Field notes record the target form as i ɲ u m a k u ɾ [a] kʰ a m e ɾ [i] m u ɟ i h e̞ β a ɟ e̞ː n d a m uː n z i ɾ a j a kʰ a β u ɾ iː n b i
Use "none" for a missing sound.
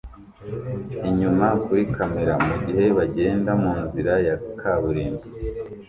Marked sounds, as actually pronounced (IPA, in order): i, a

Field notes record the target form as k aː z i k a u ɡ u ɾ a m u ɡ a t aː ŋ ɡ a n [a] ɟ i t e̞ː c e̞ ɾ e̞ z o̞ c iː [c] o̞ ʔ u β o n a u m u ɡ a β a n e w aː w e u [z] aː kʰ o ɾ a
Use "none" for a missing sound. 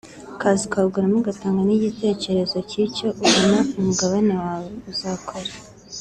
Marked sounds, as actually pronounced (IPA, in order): i, c, z

